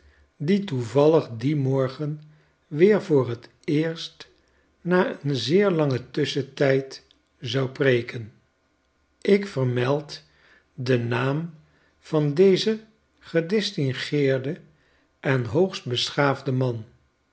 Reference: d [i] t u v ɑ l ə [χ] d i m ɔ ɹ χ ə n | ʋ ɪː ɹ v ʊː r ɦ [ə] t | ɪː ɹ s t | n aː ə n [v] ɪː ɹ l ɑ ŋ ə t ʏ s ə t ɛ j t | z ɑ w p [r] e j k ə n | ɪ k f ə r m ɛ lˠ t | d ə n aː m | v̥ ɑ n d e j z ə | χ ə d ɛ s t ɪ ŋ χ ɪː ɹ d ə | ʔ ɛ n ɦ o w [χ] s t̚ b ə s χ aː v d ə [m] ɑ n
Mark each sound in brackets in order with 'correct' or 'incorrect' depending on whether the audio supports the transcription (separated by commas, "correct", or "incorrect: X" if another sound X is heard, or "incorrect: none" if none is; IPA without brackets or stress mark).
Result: correct, correct, correct, incorrect: z, correct, correct, correct